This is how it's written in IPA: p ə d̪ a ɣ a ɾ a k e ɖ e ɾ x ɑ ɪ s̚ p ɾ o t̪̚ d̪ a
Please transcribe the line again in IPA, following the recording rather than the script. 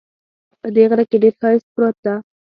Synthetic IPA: p ə d̪ e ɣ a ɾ a k e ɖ e ɾ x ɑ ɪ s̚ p ɾ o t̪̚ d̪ a